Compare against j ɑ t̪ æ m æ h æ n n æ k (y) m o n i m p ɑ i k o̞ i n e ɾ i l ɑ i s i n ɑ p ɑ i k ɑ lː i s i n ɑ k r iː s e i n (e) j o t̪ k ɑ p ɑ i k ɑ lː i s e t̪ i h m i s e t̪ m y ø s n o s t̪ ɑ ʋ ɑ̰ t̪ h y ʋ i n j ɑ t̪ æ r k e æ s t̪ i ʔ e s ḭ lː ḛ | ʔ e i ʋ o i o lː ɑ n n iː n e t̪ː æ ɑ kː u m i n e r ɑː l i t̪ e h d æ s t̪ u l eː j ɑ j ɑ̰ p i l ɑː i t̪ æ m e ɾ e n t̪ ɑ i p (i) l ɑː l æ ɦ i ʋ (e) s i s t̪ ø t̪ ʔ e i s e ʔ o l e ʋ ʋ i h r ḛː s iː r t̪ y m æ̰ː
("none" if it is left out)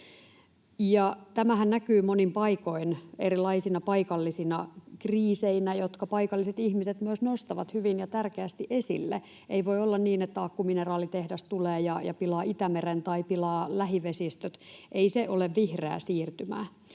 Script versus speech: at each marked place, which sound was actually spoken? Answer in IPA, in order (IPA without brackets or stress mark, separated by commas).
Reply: yː, æ, i, e